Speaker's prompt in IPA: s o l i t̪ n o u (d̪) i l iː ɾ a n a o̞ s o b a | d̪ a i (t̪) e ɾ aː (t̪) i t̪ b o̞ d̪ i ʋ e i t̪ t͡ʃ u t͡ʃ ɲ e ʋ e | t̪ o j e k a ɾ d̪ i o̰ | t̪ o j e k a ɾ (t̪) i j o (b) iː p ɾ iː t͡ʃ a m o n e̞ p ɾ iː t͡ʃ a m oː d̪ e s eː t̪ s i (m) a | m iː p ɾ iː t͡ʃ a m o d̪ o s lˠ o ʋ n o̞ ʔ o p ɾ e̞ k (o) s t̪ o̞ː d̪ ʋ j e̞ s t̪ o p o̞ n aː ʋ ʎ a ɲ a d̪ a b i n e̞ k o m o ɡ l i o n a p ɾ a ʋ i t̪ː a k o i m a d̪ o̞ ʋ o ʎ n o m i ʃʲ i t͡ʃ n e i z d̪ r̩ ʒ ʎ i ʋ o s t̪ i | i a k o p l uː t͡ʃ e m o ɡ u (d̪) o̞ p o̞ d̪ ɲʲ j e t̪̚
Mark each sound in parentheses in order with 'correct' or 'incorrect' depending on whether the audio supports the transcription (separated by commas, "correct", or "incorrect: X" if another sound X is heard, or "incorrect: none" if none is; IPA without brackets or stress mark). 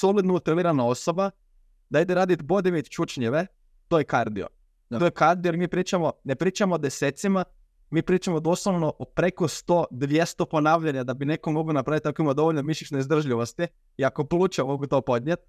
incorrect: t̪, incorrect: d̪, incorrect: d̪, incorrect: d̪, incorrect: m, correct, correct, incorrect: t̪